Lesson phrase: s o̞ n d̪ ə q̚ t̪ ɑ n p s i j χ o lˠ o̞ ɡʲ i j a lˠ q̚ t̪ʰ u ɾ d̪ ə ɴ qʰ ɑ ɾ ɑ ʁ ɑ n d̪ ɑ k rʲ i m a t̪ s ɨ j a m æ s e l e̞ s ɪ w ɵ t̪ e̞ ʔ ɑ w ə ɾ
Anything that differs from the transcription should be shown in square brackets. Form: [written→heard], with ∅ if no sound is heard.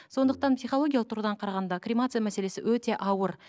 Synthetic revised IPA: s o̞ n d̪ ə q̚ t̪ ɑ n p s i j χ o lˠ o̞ ɡʲ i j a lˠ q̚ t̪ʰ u ɾ d̪ [ə→ɑ] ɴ qʰ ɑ ɾ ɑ ʁ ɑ n d̪ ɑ k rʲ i m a t̪ s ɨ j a m æ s e l e̞ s ɪ w ɵ t̪ e̞ ʔ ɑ w ə ɾ